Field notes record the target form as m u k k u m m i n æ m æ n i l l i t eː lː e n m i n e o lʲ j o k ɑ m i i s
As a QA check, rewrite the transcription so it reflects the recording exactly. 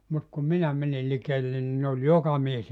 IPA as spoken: m u t k u m m i n æ m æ n i l l i k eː lː e n n i n e o lʲ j o k ɑ m i e s